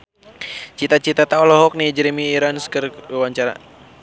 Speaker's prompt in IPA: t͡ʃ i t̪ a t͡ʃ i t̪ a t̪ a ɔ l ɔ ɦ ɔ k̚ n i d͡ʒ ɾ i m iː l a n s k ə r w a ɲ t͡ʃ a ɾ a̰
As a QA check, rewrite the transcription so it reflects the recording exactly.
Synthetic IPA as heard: t͡ʃ i t̪ a t͡ʃ i t̪ a t̪ a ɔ l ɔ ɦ ɔ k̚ n i d͡ʒ ɾ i m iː ɾ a n s k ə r w a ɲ t͡ʃ a ɾ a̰